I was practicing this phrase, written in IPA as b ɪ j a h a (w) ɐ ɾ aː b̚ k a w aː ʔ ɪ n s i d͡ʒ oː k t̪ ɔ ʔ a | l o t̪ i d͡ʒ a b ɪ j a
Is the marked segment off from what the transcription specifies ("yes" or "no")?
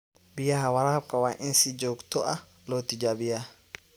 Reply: no